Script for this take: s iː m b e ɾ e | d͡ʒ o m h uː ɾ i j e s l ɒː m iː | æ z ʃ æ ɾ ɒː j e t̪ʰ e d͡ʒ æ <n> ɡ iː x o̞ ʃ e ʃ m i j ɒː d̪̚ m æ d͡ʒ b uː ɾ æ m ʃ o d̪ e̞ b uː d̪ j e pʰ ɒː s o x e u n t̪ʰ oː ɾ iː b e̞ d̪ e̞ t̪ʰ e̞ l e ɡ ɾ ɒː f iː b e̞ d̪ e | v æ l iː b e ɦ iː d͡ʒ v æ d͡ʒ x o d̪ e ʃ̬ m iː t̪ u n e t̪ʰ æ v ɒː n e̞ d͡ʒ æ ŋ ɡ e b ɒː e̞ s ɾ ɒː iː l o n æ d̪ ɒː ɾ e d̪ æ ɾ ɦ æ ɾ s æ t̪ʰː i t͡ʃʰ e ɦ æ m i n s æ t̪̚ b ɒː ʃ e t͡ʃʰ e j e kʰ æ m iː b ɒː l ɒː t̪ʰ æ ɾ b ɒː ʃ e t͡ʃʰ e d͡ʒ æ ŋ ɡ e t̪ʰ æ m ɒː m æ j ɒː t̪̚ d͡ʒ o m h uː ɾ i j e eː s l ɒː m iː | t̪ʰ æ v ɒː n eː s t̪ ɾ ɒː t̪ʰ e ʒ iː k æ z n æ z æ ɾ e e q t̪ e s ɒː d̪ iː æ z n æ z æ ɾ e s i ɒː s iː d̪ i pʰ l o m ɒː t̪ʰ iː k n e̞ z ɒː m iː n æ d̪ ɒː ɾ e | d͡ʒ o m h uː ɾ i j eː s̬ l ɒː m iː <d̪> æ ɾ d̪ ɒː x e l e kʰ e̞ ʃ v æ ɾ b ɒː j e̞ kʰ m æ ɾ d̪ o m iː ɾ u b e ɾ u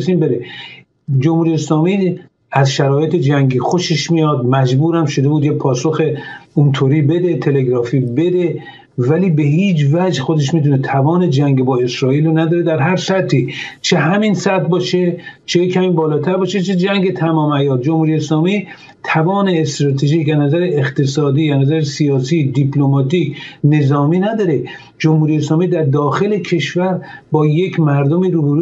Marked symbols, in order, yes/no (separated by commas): no, yes